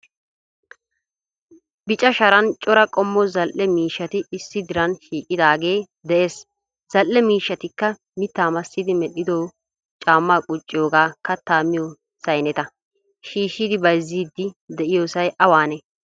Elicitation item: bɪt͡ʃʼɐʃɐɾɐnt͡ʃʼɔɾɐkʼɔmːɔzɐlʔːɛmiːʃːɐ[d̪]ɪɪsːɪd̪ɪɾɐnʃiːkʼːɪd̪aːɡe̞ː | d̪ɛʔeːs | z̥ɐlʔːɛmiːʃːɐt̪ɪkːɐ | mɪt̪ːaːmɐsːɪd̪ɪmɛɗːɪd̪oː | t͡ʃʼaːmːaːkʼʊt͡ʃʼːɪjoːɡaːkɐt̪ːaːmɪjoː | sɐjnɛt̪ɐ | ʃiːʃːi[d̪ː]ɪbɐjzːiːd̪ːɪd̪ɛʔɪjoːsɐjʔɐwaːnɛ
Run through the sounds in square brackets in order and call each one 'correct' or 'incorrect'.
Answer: incorrect, incorrect

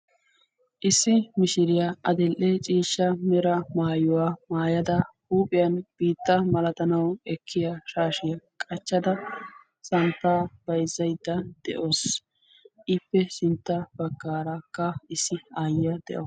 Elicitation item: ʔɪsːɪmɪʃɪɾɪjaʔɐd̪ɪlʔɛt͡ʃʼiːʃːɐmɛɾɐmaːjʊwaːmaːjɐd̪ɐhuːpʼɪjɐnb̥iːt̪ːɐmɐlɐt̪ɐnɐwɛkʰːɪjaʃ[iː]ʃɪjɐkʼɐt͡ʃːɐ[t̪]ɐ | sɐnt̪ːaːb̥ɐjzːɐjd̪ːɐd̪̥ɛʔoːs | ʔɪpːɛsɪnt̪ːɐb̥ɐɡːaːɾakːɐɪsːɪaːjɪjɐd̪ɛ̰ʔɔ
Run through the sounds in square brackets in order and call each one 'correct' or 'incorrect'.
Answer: incorrect, incorrect

